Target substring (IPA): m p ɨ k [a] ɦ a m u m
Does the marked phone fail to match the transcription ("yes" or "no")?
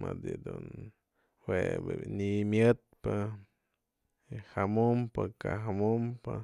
no